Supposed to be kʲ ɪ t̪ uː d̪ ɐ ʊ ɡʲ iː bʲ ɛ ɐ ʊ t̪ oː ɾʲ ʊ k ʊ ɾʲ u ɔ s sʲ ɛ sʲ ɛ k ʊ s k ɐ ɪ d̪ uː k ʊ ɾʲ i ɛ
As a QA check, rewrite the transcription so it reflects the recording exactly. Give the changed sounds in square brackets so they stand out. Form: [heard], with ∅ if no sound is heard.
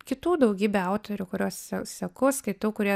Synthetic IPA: kʲ ɪ t̪ uː d̪ ɐ ʊ ɡʲ iː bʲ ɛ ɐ ʊ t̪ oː ɾʲ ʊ k ʊ ɾʲ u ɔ s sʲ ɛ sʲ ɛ k ʊ s k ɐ ɪ [t̪] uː k ʊ ɾʲ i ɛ